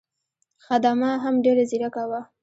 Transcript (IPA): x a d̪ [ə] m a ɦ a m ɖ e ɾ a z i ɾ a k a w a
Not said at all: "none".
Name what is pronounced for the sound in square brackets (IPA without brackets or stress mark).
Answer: a